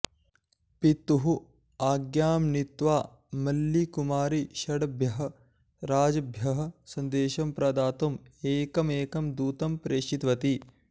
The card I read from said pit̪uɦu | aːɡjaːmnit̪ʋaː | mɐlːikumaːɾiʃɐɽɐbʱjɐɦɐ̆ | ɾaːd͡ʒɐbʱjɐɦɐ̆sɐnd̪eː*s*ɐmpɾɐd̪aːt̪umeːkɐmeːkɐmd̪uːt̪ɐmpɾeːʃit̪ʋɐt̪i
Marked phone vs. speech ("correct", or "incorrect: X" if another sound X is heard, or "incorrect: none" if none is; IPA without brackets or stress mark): incorrect: ʃ